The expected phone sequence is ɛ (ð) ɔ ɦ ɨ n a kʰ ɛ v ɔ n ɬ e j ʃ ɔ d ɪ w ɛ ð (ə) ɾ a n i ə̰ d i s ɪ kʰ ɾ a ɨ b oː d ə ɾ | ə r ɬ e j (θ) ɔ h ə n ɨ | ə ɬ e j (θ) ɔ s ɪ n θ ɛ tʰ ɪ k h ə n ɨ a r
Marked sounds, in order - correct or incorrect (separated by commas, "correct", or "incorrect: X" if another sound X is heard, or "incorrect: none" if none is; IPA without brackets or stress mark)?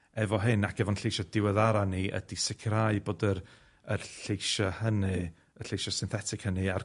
incorrect: v, incorrect: a, incorrect: ʃ, incorrect: ʃ